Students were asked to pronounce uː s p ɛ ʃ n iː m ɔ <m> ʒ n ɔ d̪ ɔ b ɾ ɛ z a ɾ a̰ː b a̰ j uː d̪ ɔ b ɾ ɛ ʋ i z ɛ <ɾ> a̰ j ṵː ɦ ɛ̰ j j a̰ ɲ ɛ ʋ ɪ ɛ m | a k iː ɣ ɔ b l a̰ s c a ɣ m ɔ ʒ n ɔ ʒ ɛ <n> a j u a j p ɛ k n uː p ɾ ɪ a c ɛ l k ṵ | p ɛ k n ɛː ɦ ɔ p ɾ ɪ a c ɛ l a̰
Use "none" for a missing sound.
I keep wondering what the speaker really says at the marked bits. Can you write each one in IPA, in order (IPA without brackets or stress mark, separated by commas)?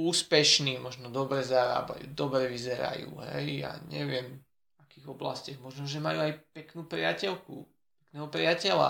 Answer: none, ɾ, m